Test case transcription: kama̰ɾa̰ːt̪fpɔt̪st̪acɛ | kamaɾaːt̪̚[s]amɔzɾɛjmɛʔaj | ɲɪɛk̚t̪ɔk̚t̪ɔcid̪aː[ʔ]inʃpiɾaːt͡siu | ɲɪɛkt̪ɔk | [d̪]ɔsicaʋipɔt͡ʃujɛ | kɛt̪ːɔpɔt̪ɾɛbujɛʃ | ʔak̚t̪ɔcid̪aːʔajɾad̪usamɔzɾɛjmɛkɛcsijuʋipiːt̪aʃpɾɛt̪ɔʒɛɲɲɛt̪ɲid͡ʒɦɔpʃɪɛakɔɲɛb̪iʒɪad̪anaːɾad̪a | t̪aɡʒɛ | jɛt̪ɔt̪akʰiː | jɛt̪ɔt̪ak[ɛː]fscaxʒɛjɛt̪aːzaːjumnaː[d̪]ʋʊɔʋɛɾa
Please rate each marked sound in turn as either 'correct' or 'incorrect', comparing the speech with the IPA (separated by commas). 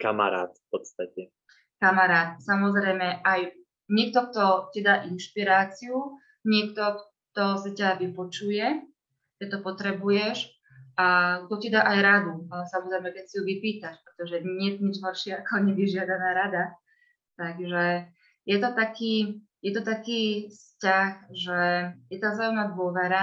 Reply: correct, correct, incorrect, incorrect, correct